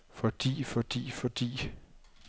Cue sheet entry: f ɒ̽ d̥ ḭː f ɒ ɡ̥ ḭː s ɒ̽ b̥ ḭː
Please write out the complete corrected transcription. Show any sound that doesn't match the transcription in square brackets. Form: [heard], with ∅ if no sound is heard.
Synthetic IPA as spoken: f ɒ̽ d̥ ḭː f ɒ [d̥] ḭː [f] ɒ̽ [d̥] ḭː